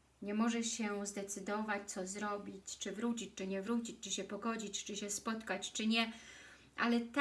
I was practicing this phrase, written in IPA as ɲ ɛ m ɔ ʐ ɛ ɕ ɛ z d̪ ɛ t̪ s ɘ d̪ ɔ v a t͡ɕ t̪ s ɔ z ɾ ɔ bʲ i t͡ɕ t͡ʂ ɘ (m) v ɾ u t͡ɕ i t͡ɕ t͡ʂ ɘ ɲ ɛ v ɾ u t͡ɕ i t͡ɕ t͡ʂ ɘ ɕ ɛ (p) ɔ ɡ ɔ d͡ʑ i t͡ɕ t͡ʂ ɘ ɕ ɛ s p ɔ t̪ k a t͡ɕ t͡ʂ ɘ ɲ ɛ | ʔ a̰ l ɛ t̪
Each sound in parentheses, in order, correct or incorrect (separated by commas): incorrect, correct